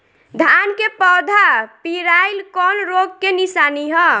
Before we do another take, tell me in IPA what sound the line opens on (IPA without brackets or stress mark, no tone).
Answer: d̪ʱ